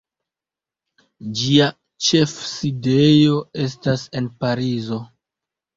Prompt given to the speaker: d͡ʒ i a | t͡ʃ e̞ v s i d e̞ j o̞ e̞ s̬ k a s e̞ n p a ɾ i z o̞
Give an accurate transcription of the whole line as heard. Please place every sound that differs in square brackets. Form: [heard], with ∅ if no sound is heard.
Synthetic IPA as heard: d͡ʒ i a | t͡ʃ e̞ [f] s i d e̞ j o̞ e̞ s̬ [t] a s e̞ n p a ɾ i z o̞